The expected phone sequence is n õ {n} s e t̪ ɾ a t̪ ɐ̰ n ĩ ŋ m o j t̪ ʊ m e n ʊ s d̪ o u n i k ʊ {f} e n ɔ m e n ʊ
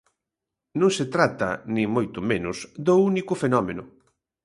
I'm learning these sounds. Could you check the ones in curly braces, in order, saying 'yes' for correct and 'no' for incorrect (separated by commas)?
no, yes